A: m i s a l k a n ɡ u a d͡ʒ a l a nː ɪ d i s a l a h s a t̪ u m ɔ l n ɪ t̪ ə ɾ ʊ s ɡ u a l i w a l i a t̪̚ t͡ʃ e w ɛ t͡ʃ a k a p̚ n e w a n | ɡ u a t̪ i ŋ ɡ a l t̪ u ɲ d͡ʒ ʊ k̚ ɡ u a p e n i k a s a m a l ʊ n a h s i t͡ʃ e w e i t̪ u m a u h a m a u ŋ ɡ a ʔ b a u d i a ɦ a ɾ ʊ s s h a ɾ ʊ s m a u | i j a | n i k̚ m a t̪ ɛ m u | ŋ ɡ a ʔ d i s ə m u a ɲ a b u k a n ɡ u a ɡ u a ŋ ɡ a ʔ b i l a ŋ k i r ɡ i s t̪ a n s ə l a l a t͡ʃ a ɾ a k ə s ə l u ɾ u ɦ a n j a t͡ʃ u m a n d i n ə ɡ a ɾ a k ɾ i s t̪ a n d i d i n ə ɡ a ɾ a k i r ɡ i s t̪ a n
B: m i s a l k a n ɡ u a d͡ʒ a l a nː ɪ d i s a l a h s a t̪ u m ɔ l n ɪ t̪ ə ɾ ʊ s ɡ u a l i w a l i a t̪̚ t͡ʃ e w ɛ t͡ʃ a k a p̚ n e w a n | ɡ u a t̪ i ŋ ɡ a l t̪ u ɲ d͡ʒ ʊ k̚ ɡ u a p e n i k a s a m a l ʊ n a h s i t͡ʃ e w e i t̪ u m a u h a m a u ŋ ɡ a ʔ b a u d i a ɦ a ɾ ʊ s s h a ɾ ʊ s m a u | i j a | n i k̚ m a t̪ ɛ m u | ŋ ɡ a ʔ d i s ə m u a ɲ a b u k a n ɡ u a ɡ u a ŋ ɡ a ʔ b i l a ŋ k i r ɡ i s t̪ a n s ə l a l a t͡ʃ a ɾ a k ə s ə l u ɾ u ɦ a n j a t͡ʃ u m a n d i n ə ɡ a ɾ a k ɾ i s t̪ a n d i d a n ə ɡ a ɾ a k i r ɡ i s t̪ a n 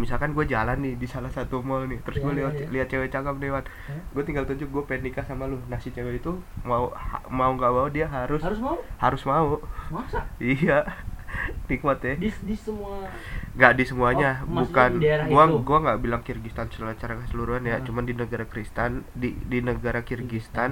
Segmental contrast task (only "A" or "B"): A